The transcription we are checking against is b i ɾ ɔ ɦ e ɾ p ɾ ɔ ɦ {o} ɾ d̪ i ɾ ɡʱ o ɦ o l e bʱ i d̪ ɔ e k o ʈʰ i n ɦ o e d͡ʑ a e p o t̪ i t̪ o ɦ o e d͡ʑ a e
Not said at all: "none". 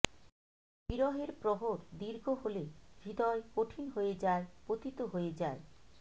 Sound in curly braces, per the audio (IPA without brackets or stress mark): o